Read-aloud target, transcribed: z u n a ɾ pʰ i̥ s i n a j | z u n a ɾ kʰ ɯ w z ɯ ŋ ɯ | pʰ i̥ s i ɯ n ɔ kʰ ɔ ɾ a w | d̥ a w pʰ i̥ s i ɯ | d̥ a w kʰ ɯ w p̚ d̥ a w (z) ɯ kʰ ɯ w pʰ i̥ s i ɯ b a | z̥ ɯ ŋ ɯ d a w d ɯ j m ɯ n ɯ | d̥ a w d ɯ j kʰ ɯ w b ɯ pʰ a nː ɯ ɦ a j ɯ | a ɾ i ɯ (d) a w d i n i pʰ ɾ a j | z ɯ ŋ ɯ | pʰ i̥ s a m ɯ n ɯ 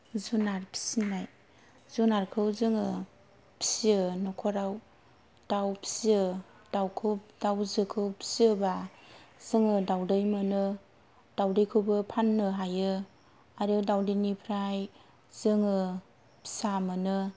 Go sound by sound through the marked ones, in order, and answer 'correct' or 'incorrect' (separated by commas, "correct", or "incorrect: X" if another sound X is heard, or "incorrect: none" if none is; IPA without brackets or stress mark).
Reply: correct, correct